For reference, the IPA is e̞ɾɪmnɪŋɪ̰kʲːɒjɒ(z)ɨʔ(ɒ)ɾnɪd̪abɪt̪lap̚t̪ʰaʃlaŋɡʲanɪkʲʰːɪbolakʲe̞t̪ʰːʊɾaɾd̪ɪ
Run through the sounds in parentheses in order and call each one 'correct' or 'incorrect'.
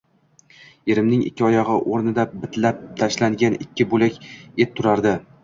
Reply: incorrect: ʁ, incorrect: o

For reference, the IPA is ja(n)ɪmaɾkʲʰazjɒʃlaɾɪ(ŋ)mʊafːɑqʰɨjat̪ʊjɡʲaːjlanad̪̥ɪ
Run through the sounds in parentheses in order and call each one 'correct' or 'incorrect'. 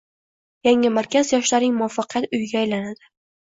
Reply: incorrect: ŋ, correct

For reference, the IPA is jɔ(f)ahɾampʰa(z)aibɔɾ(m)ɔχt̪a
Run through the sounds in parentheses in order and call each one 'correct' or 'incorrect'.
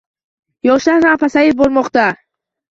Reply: incorrect: ʃ, incorrect: s, correct

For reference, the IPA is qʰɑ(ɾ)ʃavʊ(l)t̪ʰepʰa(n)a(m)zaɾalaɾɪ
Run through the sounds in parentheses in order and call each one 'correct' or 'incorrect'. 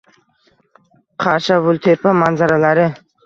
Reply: correct, correct, incorrect: m, incorrect: n

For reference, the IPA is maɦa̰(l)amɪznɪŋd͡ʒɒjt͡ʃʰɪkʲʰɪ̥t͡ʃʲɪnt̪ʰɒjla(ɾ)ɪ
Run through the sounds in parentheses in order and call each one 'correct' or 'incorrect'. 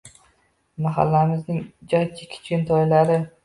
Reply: incorrect: lː, correct

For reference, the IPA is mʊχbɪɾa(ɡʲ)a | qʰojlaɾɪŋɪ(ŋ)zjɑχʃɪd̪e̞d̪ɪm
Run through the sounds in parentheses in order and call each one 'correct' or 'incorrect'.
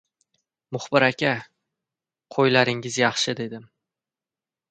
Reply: incorrect: kʲ, incorrect: none

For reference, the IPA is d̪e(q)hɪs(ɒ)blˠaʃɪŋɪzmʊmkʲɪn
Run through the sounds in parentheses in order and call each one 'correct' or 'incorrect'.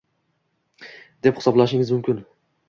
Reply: incorrect: p, correct

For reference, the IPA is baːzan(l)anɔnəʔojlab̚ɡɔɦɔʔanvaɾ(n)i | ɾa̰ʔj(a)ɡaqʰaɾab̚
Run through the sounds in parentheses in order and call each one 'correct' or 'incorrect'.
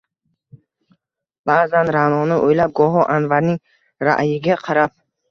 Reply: incorrect: ɾ, correct, incorrect: i

